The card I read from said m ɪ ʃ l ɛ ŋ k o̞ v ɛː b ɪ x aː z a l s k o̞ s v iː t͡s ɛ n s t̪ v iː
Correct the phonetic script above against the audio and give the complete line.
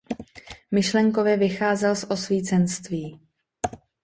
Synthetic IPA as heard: m ɪ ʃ l ɛ ŋ k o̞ v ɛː v ɪ x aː z ɛ l s ʔ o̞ s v iː t͡s ɛ n s t̪ v iː